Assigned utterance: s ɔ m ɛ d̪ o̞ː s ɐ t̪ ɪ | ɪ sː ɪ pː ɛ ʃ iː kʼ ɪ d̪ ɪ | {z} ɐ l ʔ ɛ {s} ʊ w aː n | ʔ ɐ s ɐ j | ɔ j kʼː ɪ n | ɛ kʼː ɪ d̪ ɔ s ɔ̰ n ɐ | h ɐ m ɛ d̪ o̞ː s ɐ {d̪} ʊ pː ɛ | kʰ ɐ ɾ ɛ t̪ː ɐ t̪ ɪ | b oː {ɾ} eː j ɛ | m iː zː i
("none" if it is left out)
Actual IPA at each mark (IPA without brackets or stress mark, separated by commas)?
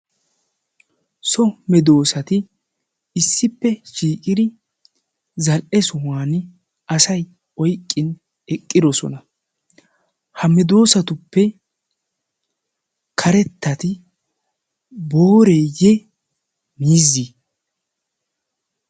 z, s, t̪, ɾ